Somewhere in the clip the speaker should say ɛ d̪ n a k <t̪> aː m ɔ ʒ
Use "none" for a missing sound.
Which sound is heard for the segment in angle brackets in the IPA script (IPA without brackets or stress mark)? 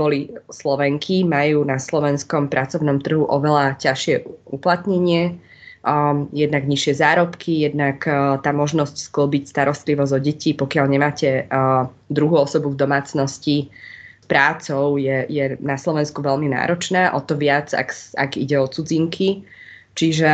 t̪